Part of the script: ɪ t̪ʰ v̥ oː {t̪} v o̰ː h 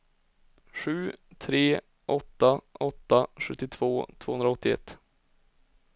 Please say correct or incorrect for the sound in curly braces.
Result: incorrect